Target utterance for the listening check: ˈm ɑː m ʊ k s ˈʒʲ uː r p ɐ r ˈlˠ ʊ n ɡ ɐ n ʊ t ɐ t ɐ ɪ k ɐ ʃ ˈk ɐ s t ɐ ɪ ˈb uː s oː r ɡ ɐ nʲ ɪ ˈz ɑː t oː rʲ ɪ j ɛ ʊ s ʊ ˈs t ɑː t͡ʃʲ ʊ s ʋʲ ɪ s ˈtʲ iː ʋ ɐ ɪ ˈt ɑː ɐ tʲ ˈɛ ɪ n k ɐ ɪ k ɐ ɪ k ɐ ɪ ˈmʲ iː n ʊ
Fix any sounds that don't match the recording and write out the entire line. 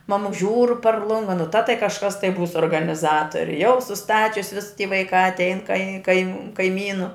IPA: ˈm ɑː m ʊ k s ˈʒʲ uː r p ɐ r ˈlˠ ʊ ŋ ɡ ɐ n ʊ t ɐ t ɐ ɪ k ɐ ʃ ˈk ɐ s t ɐ ɪ ˈb uː s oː r ɡ ɐ nʲ ɪ ˈz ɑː t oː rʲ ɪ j ɛ ʊ s ʊ ˈs t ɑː t͡ʃʲ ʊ s ʋʲ ɪ s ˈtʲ iː ʋ ɐ ɪ ˈk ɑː ɐ tʲ ˈɛ ɪ n k ɐ ɪ k ɐ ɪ k ɐ ɪ ˈmʲ iː n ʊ